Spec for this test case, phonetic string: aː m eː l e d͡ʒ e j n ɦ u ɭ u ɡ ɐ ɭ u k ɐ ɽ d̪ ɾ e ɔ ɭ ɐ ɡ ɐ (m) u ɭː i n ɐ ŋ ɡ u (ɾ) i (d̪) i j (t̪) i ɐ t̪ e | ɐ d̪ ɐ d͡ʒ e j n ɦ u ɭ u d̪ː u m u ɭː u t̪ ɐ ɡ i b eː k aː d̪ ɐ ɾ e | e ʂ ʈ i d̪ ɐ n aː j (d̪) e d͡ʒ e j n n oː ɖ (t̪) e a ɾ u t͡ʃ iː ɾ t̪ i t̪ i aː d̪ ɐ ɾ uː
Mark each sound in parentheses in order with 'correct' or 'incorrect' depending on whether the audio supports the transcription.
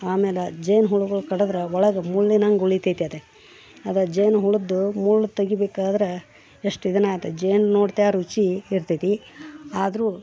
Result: correct, incorrect, incorrect, correct, incorrect, correct

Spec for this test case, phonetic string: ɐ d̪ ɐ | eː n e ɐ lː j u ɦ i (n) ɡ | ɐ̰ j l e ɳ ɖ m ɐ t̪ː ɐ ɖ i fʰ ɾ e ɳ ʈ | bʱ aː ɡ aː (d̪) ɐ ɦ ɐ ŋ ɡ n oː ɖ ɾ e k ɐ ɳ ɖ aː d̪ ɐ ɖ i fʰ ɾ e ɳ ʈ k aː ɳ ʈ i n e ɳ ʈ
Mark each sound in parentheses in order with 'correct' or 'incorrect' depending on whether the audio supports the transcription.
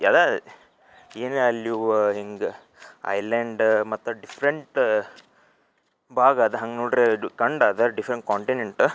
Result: incorrect, correct

